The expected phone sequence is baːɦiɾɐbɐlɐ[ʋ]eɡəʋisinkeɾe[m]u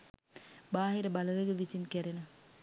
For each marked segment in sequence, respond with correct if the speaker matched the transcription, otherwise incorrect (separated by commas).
correct, incorrect